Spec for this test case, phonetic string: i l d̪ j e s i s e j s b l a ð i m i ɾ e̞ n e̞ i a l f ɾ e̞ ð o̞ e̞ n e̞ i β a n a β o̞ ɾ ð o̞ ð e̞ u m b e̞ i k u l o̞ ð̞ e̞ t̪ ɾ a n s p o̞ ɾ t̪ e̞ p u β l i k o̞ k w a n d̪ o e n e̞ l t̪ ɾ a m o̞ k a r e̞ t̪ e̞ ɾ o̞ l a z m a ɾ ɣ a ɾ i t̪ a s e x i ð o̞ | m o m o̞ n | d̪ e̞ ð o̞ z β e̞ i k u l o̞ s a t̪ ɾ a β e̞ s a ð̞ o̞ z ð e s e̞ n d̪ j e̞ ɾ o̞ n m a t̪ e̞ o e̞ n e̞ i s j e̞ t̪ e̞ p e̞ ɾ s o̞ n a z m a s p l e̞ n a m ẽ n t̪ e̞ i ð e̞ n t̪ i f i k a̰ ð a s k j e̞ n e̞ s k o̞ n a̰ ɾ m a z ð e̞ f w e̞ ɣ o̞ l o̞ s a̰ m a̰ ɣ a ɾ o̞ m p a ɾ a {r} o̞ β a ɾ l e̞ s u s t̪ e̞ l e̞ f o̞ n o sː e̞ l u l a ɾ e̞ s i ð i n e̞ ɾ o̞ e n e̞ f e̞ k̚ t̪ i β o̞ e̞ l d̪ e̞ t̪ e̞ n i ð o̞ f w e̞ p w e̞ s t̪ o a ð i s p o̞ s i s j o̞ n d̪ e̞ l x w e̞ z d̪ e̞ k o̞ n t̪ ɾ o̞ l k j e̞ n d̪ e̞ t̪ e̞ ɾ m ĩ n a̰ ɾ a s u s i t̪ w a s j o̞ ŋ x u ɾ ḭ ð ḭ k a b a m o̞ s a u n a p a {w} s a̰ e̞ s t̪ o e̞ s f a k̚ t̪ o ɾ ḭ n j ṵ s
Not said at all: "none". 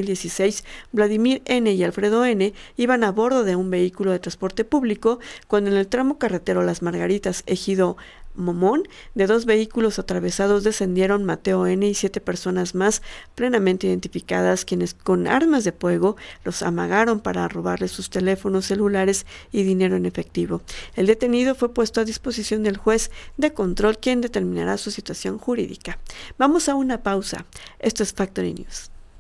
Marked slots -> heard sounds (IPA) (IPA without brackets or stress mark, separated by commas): r, w